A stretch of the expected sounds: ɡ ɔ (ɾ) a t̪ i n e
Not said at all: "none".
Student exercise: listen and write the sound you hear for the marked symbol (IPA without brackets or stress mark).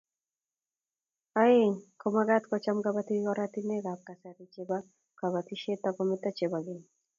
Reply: ɾ